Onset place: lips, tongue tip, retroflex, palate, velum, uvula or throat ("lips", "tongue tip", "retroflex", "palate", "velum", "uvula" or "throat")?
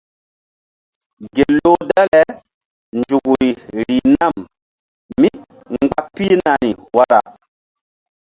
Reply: velum